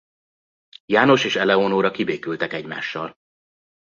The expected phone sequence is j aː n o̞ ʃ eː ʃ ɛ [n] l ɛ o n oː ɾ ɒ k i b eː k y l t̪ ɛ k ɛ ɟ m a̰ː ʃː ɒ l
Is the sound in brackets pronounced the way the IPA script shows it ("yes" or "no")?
no